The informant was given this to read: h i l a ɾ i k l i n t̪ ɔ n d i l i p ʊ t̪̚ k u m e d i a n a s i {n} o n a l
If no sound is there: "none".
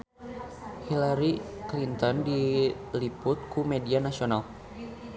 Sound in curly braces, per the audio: none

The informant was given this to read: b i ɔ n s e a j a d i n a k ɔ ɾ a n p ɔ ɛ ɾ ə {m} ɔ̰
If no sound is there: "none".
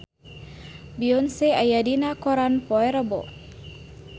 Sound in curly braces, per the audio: b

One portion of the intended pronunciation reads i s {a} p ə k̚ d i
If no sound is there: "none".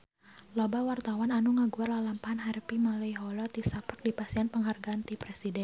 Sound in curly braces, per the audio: a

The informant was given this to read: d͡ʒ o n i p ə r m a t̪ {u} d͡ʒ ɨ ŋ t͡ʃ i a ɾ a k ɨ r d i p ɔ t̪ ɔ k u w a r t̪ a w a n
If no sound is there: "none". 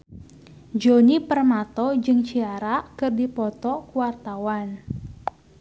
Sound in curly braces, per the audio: ɔ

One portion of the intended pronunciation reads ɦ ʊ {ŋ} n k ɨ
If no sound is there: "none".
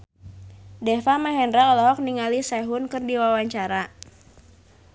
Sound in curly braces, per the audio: none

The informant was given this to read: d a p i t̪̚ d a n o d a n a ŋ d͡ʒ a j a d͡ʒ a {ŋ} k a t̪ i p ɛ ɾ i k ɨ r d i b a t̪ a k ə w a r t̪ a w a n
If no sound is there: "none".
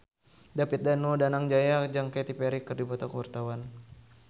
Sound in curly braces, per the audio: ŋ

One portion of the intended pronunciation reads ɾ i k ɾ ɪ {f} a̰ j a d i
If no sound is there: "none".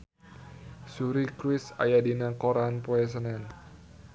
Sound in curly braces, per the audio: s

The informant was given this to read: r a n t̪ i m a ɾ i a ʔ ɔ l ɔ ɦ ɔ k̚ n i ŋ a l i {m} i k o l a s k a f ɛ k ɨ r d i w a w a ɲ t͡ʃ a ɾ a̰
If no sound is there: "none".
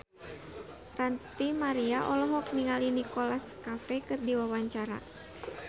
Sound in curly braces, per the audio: n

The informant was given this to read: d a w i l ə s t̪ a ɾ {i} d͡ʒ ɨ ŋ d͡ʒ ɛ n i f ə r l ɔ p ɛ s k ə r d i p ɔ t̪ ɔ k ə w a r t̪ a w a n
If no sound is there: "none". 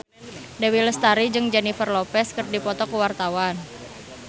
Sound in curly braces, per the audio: i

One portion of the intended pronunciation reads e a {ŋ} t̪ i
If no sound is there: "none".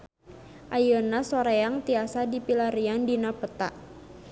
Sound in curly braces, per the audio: ŋ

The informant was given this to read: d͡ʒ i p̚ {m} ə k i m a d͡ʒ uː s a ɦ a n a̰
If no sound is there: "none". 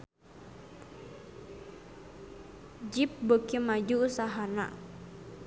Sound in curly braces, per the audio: b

